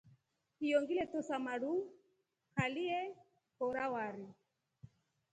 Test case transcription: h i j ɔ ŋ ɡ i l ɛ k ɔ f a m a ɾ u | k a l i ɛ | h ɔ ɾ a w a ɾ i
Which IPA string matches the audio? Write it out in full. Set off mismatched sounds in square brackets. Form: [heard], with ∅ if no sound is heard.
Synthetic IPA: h i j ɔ ŋ ɡ i l ɛ [t] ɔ [s] a m a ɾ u | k a l i ɛ | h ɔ ɾ a w a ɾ i

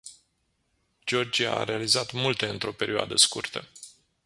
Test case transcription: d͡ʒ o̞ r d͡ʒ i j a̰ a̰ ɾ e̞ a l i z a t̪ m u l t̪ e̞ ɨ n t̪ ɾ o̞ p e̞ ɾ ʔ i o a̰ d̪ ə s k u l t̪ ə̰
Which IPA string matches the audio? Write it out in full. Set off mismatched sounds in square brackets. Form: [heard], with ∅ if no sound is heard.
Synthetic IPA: d͡ʒ o̞ r d͡ʒ i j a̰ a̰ ɾ e̞ a l i z a t̪ m u l t̪ e̞ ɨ n t̪ ɾ o̞ p e̞ ɾ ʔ i o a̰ d̪ ə s k u [r] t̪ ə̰

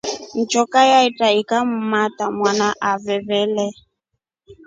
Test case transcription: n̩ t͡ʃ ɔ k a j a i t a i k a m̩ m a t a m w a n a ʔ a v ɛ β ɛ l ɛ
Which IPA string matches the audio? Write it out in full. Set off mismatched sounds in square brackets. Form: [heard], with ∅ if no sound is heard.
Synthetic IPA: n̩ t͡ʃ ɔ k a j a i t a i k a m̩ m a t a m w a n a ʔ a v ɛ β ɛ l ɛ

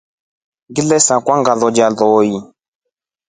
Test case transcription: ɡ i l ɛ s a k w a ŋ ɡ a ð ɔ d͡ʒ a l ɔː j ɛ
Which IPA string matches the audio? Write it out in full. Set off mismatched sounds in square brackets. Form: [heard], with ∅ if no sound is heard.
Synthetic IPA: ɡ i l ɛ s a k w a ŋ ɡ a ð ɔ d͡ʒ a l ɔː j [i]

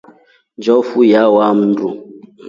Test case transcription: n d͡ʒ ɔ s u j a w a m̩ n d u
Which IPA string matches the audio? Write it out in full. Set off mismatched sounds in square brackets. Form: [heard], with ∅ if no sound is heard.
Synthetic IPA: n d͡ʒ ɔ [f] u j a w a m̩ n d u

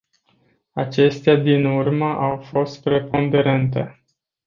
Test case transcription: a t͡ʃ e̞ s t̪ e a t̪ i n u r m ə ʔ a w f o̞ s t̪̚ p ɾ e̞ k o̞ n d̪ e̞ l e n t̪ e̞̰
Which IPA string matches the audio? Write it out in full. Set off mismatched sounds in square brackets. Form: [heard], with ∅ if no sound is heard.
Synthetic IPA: a t͡ʃ e̞ s t̪ e a [d̪] i n u r m ə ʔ a w f o̞ s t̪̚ p ɾ e̞ [p] o̞ n d̪ e̞ [ɾ] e n t̪ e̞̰

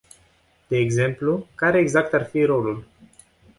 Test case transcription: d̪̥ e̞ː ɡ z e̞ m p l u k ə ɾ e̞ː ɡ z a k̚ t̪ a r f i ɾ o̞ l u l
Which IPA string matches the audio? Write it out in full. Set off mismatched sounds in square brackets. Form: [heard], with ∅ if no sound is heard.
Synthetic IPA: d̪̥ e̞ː ɡ z e̞ m p l u k [a] ɾ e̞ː ɡ z a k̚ t̪ a r f i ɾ o̞ l u l

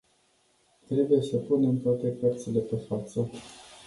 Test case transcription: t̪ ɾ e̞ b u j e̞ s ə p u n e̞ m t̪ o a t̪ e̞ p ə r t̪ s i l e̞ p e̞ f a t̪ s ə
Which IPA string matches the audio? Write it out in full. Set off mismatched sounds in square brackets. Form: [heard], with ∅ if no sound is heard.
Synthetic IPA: t̪ ɾ e̞ b u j e̞ s ə p u n e̞ m t̪ o a t̪ e̞ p ə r t̪ s i l e̞ p e̞ f a t̪ s ə

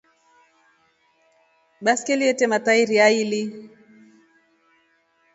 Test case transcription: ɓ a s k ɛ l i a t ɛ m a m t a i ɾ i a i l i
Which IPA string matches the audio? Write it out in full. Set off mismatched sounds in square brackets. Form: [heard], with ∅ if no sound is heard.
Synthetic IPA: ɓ a s k ɛ l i [ɛ] t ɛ m a [∅] t a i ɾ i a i l i

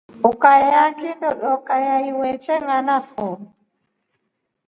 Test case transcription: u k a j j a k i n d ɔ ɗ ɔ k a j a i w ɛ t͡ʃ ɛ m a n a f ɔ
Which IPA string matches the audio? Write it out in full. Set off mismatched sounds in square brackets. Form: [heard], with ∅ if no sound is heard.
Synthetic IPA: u k a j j a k i n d ɔ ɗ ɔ k a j a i w ɛ t͡ʃ ɛ [ŋ] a n a f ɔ

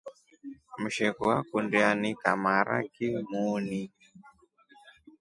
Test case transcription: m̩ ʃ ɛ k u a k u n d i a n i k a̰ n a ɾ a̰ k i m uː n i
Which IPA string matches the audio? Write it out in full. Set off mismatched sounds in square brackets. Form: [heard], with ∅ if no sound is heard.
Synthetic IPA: m̩ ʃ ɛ k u a k u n d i a n i k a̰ [m] a ɾ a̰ k i m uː n i

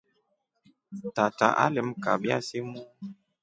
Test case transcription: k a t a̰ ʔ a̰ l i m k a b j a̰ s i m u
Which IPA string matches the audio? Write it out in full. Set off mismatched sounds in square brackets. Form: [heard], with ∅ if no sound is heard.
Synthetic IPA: [t] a t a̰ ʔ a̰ l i m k a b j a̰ s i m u

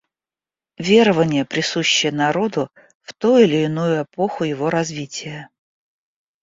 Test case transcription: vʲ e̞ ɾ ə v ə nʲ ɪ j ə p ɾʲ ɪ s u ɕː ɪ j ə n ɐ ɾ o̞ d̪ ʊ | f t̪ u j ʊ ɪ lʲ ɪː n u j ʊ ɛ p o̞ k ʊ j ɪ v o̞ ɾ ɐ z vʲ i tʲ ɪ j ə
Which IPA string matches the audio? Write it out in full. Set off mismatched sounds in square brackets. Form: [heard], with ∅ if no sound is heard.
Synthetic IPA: vʲ e̞ ɾ ə v ə nʲ ɪ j ə p ɾʲ ɪ s u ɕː ɪ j ə n ɐ ɾ o̞ d̪ ʊ | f t̪ u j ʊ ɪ lʲ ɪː n u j ʊ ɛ p o̞ [x] ʊ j ɪ v o̞ ɾ ɐ z vʲ i tʲ ɪ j ə

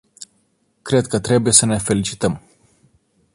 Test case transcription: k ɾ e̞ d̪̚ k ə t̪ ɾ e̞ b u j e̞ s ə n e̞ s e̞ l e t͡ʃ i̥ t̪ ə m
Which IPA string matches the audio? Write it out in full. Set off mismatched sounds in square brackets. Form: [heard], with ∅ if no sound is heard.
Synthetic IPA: k ɾ e̞ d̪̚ k ə t̪ ɾ e̞ b u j e̞ s ə n e̞ [f] e̞ l [i] t͡ʃ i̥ t̪ ə m

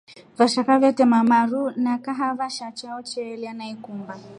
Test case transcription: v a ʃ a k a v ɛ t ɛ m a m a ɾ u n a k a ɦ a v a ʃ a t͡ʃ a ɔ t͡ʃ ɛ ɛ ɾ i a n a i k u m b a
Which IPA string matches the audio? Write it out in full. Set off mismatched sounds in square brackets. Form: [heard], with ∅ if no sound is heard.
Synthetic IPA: v a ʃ a k a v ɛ t ɛ m a m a ɾ u n a k a ɦ a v a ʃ a t͡ʃ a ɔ t͡ʃ ɛ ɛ [l] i a n a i k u m b a

